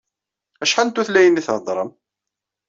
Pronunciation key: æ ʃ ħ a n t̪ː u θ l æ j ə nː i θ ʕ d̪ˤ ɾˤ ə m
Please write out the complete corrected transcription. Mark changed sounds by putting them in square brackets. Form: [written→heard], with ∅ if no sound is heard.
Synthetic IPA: æ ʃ ħ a n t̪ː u θ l æ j ə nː i θ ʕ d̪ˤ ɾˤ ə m